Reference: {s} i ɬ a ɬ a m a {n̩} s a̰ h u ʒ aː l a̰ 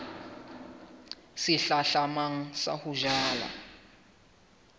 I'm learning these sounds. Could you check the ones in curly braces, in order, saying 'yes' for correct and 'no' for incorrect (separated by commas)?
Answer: yes, no